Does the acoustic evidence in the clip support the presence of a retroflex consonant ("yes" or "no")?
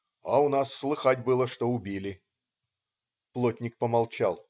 yes